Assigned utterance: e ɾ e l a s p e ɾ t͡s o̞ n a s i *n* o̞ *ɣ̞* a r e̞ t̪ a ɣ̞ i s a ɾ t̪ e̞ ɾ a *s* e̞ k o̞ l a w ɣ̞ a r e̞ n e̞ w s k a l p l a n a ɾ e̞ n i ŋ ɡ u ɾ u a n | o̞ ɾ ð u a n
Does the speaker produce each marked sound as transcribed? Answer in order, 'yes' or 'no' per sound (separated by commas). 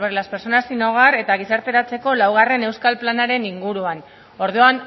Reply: yes, yes, no